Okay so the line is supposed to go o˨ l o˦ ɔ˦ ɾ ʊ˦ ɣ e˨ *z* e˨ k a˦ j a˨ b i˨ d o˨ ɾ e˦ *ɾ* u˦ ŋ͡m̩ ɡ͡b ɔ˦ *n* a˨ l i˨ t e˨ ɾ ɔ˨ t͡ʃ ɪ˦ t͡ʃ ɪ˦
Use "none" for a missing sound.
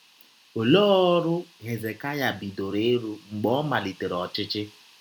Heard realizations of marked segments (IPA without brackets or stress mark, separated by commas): z, ɾ, m